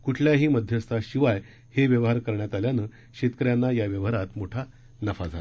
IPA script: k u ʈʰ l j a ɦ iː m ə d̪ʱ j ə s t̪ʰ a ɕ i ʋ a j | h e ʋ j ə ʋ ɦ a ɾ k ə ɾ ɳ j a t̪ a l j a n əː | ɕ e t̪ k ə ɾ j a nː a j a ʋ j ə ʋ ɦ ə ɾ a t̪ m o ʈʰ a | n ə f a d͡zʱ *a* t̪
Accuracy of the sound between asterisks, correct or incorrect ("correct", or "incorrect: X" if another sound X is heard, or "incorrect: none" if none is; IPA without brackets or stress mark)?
correct